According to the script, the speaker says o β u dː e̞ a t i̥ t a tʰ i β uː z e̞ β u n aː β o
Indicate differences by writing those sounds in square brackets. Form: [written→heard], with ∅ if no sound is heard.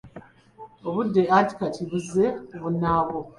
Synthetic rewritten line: o β u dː e̞ a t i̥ [t→k] a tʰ i β [uː→u] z e̞ β u n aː β o